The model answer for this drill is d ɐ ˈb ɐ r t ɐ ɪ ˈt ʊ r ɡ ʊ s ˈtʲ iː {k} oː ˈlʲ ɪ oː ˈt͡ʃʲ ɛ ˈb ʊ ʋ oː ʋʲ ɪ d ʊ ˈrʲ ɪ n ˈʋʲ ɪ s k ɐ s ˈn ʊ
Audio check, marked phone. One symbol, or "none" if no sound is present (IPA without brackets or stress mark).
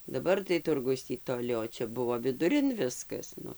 t